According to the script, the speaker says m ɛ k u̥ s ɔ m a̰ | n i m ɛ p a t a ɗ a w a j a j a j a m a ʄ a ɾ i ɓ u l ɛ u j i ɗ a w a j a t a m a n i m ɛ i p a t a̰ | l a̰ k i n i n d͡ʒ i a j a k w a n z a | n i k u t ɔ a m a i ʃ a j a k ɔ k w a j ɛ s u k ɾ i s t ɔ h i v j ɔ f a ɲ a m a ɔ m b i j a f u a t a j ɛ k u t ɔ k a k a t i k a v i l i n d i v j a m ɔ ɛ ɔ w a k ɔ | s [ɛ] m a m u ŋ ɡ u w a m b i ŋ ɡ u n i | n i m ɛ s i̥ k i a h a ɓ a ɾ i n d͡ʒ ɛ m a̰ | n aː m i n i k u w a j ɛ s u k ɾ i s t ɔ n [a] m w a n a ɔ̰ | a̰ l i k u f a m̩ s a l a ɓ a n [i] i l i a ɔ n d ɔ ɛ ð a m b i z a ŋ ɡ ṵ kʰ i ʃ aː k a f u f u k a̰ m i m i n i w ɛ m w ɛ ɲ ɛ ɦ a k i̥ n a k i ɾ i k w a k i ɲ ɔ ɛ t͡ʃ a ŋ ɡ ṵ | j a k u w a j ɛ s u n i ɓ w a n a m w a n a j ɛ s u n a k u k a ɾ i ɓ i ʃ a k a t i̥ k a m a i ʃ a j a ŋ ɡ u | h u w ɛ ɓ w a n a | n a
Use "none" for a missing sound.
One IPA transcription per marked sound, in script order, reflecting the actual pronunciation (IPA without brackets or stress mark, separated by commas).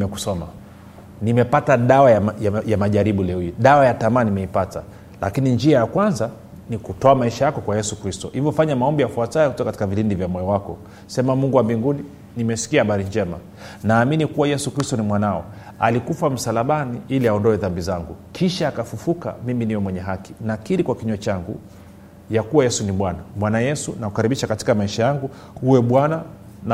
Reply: ɛ, i, i